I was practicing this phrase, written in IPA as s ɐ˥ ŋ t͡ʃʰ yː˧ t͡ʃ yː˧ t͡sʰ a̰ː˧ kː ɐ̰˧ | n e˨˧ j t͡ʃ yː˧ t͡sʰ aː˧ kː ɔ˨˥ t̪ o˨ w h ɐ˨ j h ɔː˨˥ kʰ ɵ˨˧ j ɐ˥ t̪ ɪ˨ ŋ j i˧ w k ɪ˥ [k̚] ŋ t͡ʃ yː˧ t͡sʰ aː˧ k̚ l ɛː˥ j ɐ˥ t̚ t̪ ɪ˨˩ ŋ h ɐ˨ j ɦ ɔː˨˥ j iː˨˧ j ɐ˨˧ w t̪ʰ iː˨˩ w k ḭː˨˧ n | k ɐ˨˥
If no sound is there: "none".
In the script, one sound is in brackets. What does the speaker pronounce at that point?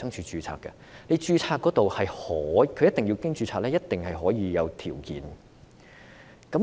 none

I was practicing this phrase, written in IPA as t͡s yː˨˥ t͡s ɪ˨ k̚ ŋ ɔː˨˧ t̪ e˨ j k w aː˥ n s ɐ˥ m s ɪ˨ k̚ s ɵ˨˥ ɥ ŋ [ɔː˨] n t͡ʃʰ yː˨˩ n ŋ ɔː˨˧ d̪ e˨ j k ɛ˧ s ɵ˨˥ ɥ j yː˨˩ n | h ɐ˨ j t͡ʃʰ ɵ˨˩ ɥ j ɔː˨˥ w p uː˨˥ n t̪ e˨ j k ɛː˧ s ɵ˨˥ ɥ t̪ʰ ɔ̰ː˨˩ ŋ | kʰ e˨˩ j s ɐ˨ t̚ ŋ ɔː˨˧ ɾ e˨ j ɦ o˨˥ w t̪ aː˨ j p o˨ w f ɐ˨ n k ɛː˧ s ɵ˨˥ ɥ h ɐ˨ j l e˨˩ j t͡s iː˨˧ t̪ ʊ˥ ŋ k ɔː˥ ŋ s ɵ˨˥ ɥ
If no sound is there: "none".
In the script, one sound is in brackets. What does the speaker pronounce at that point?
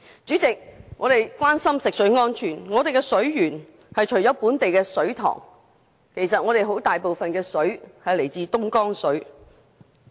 ɔː˥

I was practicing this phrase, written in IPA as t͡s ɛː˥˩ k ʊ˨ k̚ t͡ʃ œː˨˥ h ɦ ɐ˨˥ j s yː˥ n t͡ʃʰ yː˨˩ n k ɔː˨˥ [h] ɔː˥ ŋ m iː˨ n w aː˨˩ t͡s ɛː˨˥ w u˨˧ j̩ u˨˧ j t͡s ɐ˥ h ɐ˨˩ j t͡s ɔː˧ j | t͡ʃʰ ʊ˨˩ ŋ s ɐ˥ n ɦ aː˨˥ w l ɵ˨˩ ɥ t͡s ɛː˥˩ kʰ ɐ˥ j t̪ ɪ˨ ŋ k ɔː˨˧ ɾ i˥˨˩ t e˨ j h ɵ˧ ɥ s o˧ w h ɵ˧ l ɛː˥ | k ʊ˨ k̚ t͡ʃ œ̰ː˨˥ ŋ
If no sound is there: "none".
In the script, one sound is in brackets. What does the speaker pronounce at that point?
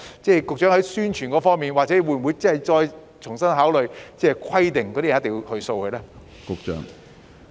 f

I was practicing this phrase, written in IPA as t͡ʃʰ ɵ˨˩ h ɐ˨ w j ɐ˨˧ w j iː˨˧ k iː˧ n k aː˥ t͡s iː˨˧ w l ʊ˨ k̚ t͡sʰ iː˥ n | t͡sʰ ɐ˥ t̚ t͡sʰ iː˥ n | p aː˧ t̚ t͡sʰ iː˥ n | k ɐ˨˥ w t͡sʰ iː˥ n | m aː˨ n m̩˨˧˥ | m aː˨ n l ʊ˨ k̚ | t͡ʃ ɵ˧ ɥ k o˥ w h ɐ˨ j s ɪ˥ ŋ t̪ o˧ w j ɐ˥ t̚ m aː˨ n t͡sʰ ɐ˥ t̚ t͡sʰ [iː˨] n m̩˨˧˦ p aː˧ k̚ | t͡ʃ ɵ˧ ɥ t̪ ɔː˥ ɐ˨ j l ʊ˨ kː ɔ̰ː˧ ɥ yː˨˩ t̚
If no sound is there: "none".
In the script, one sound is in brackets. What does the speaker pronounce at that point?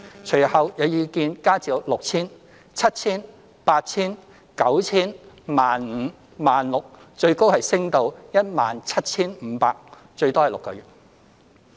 iː˥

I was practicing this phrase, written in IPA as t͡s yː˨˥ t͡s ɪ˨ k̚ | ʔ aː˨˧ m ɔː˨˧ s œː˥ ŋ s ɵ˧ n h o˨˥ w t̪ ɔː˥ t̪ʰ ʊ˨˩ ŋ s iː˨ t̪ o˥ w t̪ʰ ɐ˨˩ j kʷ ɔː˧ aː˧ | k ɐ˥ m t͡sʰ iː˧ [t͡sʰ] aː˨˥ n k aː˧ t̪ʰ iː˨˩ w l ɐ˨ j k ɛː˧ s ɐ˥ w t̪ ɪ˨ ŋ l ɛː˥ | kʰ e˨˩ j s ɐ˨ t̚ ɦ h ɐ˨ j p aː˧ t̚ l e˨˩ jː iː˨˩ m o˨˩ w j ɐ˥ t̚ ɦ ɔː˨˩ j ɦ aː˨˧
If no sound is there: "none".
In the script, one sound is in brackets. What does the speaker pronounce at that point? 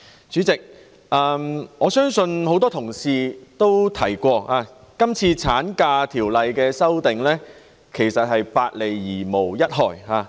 t͡sʰ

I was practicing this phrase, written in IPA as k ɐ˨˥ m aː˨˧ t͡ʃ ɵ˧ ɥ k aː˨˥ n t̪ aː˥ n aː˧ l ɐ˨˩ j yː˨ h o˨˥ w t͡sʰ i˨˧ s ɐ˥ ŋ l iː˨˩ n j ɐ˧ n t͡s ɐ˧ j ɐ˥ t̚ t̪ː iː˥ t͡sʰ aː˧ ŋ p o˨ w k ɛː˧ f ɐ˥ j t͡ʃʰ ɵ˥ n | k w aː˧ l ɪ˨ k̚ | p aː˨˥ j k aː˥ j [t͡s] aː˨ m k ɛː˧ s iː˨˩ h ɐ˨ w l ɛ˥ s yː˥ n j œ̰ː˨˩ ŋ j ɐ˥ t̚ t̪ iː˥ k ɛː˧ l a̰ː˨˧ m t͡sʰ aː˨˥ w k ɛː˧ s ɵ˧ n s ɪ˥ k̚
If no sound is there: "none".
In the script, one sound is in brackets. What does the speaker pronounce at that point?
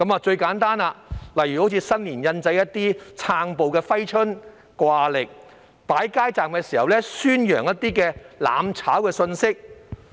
t͡s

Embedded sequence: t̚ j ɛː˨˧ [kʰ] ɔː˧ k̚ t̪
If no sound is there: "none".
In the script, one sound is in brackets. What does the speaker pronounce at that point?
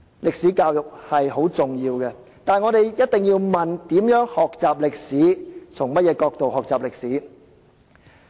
k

